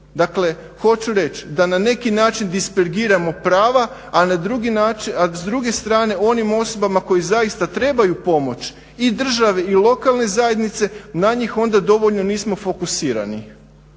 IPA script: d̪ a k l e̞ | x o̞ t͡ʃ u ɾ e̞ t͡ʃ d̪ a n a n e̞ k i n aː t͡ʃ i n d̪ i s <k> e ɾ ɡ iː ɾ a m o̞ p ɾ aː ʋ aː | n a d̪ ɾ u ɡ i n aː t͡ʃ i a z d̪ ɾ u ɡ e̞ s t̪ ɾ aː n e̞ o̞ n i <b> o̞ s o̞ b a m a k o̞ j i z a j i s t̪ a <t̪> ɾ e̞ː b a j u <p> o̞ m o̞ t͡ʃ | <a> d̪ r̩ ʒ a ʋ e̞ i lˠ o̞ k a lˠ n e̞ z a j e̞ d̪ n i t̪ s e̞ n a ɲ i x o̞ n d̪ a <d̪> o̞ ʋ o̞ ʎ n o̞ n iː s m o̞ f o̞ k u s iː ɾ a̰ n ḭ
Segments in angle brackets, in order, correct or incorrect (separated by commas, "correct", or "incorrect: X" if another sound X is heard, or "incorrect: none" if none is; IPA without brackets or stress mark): incorrect: p, incorrect: m, correct, correct, incorrect: i, correct